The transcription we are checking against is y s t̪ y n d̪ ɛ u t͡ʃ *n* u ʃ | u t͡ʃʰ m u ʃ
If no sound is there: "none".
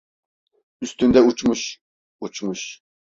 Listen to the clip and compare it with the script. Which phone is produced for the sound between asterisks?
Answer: m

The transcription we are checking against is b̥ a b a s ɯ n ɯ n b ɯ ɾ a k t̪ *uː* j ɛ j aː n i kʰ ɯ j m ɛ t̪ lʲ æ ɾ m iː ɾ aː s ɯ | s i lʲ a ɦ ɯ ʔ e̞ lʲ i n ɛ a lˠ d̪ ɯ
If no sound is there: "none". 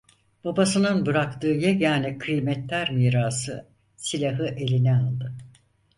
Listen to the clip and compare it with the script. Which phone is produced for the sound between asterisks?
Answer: ɯː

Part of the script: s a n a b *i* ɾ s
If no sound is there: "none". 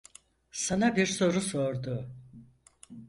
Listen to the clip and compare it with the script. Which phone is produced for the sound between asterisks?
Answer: i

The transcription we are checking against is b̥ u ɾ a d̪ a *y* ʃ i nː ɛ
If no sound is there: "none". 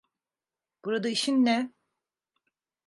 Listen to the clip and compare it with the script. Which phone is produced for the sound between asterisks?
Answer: i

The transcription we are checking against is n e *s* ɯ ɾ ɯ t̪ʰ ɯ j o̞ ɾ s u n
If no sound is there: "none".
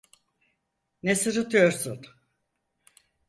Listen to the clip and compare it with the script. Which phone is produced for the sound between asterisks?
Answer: s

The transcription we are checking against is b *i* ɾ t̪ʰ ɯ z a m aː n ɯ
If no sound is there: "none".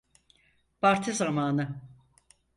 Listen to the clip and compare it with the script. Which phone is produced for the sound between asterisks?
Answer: a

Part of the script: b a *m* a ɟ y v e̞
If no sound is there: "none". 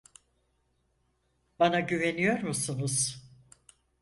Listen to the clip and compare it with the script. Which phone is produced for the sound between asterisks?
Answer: n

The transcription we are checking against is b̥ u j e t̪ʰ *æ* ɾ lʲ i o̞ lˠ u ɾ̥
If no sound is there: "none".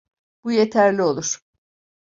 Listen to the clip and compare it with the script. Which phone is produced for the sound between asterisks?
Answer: æ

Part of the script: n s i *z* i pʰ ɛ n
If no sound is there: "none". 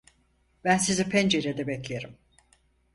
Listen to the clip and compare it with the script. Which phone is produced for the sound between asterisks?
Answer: z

